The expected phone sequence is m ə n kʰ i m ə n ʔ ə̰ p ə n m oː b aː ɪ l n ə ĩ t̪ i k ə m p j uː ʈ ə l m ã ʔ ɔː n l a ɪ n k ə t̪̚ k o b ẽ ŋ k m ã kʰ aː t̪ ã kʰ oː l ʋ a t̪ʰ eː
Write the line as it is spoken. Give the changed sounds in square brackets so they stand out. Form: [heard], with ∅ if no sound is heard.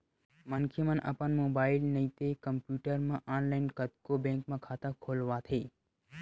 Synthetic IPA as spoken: m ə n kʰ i m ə n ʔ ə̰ p ə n m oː b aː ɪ l n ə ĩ t̪ [e] k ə m p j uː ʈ ə [ɾ] m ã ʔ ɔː n l a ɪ n k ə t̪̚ k o b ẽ ŋ k m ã kʰ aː t̪ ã kʰ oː l ʋ a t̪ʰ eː